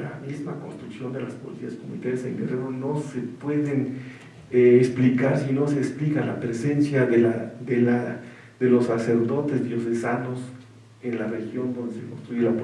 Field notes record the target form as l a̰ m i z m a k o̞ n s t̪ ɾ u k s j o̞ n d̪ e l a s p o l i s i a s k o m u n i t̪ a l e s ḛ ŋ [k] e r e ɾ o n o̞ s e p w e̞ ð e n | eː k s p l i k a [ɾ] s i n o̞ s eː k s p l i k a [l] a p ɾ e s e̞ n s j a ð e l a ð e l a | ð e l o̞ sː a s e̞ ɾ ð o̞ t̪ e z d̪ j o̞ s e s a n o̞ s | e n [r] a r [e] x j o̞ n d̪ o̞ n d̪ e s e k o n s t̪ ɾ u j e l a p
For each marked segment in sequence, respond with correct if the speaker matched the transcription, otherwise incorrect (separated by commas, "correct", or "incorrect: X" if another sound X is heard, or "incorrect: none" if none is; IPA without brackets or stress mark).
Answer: incorrect: ɡ, correct, correct, incorrect: l, correct